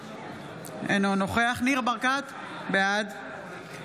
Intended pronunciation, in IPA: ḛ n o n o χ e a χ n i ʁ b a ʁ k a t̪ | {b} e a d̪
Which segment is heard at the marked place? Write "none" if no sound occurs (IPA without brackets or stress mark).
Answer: b